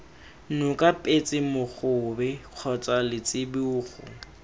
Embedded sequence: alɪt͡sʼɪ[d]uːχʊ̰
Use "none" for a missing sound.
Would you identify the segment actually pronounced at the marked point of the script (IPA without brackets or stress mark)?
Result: b